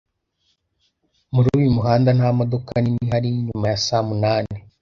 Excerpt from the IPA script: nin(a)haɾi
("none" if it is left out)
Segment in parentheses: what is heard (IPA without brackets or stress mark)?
i